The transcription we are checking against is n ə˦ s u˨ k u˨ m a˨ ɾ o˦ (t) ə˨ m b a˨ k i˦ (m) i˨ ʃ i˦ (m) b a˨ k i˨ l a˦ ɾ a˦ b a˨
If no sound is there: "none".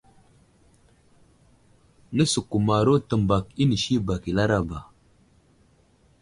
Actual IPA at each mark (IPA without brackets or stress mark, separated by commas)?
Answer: t, n, none